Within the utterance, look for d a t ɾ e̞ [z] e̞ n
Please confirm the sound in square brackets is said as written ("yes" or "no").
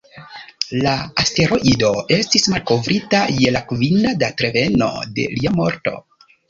no